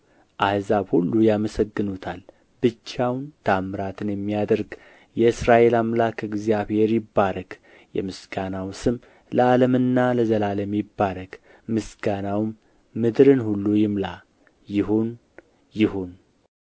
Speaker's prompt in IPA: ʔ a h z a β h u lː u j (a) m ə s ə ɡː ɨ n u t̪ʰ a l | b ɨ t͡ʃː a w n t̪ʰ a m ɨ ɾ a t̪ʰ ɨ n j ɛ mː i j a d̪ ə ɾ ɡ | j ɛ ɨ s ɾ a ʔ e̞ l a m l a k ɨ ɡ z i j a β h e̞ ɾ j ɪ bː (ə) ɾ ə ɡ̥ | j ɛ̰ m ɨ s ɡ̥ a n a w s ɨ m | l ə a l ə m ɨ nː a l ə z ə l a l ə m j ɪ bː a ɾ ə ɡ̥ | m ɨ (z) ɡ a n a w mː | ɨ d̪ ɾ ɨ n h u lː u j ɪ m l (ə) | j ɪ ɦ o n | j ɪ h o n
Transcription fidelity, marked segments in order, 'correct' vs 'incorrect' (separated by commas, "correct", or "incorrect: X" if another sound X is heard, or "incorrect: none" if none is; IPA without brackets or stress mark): correct, incorrect: a, incorrect: s, incorrect: a